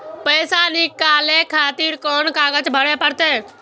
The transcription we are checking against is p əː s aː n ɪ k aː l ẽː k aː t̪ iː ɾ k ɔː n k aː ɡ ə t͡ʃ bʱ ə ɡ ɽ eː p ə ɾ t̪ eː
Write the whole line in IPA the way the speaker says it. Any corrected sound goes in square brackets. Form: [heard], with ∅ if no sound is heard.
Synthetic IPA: p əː s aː n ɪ k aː l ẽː [kʰ] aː t̪ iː ɾ k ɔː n k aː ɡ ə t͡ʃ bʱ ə [∅] ɽ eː p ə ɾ t̪ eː